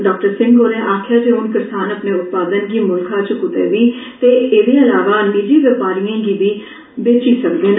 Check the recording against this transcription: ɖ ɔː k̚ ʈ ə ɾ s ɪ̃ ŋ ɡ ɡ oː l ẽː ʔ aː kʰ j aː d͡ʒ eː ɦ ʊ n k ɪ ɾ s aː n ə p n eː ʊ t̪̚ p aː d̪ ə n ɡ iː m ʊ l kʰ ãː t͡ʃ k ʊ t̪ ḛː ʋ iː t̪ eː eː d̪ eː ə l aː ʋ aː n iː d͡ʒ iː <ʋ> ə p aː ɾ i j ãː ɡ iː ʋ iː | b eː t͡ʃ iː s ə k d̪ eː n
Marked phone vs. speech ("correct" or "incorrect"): correct